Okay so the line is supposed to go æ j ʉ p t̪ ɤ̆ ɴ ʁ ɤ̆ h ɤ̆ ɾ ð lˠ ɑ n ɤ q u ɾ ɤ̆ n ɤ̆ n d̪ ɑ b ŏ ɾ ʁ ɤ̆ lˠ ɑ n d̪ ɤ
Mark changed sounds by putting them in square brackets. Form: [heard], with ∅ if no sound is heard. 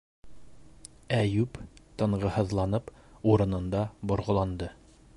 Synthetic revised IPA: æ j ʉ p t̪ ɤ̆ ɴ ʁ ɤ̆ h ɤ̆ [∅] ð lˠ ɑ n ɤ [p] u ɾ ɤ̆ n ɤ̆ n d̪ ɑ b ŏ ɾ ʁ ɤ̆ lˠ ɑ n d̪ ɤ